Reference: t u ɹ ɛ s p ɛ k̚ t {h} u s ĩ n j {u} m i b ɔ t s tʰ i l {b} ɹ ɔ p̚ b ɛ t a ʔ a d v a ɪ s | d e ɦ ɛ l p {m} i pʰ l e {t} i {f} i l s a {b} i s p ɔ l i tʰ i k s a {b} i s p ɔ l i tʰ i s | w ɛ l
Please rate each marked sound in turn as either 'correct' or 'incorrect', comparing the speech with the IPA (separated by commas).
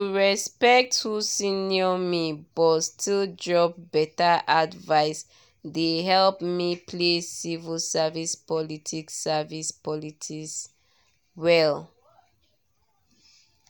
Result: correct, incorrect, incorrect, correct, incorrect, incorrect, incorrect, incorrect